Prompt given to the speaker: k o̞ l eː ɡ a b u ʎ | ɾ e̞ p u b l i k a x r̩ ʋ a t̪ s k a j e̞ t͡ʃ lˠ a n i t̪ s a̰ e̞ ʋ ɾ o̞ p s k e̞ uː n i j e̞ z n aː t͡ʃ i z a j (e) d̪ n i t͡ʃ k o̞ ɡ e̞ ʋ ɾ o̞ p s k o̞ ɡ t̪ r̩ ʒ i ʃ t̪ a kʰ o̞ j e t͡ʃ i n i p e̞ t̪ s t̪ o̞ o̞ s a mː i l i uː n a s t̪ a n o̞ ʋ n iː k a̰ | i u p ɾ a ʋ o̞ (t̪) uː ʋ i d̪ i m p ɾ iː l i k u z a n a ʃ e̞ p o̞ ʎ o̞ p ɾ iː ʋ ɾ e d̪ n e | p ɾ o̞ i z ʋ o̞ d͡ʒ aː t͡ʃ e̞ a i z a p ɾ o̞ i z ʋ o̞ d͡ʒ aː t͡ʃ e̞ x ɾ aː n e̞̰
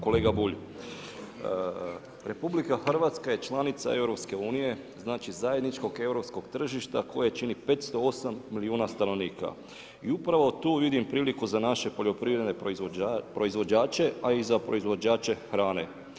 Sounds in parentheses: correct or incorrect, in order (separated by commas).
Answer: correct, correct